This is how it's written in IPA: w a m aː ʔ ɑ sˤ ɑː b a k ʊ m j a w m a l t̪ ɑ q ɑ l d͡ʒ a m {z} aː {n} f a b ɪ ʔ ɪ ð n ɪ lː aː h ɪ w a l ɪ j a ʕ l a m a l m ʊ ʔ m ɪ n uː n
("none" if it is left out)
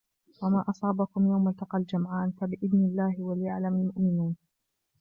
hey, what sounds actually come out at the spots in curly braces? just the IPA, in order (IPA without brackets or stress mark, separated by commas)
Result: ʕ, n